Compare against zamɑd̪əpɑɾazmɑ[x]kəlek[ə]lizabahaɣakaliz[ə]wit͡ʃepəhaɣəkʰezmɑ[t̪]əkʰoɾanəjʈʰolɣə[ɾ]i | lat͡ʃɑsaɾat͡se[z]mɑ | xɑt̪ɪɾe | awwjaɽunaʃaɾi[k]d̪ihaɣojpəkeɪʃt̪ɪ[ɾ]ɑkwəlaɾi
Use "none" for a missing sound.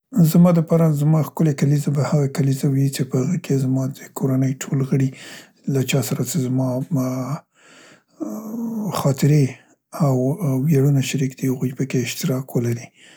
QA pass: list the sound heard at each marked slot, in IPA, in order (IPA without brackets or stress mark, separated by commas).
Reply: x, a, a, d̪, ɽ, z, k, ɾ